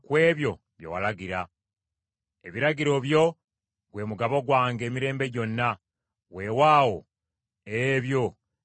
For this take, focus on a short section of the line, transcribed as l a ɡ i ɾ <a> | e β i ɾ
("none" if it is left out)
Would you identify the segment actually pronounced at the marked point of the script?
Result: a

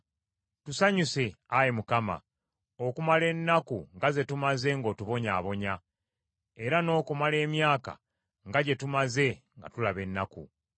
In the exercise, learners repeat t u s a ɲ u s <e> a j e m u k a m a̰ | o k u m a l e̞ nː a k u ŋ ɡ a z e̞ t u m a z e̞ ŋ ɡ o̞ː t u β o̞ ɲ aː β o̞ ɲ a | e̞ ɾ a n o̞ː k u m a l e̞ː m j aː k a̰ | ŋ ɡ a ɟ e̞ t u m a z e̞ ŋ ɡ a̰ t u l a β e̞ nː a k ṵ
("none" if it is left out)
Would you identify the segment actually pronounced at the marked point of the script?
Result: e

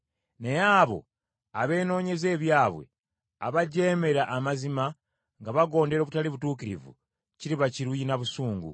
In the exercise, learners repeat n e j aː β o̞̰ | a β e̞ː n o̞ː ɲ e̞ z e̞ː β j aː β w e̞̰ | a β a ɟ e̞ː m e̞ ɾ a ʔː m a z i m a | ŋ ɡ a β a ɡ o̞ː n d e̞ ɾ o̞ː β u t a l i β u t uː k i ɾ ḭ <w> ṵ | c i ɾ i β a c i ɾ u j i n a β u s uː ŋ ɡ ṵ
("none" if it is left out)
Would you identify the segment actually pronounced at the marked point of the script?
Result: v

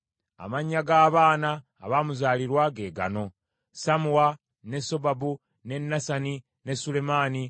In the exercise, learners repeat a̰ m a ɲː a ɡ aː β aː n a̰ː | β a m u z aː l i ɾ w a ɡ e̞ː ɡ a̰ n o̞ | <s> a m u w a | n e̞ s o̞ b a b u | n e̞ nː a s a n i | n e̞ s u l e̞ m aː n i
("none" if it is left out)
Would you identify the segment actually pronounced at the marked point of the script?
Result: s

